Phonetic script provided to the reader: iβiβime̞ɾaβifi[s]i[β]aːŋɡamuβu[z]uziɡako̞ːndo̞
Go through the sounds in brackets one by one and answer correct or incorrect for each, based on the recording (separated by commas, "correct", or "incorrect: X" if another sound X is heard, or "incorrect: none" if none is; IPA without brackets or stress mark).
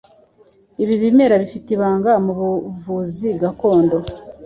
incorrect: t, correct, incorrect: v